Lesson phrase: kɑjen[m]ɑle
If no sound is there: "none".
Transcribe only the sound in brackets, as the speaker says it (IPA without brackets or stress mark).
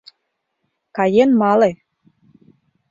m